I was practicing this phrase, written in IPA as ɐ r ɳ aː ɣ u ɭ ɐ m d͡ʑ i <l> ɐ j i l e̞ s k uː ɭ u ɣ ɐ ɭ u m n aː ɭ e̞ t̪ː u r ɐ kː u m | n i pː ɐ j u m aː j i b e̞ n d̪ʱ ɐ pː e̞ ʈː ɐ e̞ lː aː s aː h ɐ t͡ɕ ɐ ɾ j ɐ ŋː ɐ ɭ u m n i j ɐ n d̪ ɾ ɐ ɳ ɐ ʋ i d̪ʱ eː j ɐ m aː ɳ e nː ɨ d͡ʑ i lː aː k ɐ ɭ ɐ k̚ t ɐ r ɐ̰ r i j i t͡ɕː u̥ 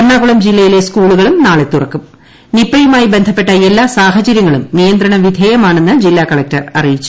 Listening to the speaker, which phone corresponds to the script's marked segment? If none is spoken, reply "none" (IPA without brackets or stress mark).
lː